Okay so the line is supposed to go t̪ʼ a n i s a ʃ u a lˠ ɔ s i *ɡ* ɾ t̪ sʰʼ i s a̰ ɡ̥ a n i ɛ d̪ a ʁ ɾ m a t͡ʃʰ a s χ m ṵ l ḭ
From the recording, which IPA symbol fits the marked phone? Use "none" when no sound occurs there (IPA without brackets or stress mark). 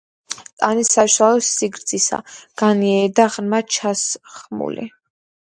ɡ